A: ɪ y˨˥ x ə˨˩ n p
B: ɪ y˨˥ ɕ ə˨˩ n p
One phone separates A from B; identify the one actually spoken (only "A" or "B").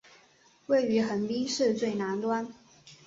A